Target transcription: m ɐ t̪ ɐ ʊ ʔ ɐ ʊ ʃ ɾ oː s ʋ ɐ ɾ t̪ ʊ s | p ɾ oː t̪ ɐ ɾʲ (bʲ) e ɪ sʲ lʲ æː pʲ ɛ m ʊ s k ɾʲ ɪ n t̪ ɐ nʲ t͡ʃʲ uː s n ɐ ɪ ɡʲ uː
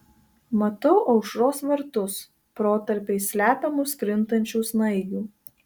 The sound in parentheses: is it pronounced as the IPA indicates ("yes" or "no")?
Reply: no